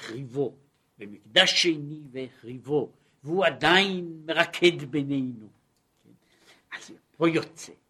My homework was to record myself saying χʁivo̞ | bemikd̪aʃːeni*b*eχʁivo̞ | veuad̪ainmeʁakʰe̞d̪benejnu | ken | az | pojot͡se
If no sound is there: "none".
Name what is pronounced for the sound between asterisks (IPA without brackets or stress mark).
v